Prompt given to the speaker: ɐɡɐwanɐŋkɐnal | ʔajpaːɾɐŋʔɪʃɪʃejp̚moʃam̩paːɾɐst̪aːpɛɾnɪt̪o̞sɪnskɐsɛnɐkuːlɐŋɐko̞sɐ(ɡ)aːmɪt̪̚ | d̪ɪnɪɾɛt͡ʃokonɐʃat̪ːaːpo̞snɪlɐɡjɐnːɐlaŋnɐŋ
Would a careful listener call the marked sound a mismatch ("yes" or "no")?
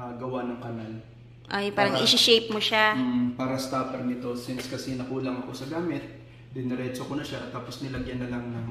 no